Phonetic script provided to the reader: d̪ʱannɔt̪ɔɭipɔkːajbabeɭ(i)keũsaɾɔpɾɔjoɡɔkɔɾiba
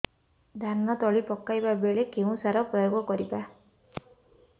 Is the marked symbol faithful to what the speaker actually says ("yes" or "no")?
no